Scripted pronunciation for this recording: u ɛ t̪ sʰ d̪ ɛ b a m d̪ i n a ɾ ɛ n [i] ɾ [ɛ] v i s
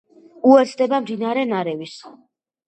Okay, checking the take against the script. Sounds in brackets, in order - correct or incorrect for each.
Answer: incorrect: a, correct

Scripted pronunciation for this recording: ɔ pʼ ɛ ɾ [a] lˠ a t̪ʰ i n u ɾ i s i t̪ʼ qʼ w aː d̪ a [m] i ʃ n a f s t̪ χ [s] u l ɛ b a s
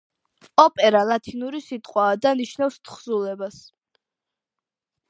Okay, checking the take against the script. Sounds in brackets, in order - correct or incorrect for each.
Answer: correct, incorrect: n, incorrect: z

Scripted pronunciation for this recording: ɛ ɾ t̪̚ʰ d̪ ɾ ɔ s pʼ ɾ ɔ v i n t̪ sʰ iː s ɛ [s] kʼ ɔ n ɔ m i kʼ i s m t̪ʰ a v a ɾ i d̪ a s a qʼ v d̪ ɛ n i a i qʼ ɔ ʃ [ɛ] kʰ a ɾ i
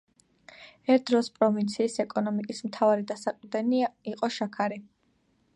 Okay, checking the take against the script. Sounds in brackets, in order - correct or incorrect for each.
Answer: incorrect: none, incorrect: a

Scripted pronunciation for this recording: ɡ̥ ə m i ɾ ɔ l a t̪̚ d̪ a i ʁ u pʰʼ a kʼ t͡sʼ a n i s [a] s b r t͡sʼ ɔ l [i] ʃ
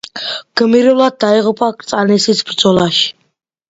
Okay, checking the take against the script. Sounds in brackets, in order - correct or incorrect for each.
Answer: incorrect: i, incorrect: a

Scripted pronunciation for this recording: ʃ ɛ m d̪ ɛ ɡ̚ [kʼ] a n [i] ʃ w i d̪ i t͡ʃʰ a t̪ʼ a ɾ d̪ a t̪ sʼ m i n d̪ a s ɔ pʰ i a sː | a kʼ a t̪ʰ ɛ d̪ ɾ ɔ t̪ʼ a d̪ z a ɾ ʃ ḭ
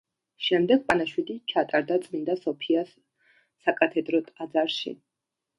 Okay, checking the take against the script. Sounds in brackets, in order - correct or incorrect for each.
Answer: incorrect: pʼ, incorrect: a

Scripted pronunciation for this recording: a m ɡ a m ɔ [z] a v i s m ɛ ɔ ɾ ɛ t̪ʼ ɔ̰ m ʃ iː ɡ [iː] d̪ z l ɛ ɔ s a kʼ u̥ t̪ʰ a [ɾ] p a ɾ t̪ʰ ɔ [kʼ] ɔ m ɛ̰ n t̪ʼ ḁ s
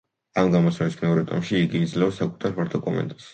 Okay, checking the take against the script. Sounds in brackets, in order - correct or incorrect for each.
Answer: incorrect: s, correct, correct, correct

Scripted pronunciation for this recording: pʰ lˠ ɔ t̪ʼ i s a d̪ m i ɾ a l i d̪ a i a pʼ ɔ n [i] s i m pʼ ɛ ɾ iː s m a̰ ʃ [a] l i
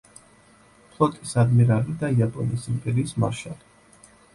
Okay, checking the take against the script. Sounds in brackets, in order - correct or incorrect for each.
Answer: correct, correct

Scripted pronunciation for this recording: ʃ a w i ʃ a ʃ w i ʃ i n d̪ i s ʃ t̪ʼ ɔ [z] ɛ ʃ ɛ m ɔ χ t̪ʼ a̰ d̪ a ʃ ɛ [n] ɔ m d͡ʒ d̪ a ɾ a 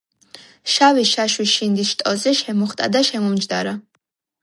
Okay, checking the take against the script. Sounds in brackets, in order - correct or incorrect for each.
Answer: correct, incorrect: m

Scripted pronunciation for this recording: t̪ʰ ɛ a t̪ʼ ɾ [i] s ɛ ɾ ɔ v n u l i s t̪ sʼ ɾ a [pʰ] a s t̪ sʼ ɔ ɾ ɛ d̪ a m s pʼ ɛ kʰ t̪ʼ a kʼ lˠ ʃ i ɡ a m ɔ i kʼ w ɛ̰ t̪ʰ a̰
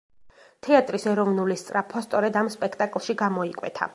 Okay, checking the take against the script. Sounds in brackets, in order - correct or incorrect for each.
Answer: correct, correct

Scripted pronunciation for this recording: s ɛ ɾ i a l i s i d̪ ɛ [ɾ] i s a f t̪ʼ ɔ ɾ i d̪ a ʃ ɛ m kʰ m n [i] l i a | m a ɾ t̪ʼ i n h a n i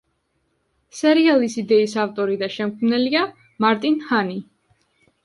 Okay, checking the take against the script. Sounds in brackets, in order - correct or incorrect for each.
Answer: incorrect: none, incorrect: ɛ

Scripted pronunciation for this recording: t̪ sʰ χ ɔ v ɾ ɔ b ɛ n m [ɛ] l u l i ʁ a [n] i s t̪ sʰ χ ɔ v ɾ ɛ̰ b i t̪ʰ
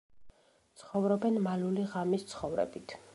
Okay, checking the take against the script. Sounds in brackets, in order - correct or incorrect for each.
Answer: incorrect: a, incorrect: m

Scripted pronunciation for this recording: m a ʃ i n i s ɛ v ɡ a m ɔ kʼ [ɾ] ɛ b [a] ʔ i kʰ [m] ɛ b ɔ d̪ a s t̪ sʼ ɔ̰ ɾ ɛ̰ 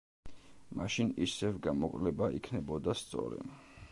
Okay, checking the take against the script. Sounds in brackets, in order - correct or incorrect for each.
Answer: incorrect: l, correct, incorrect: n

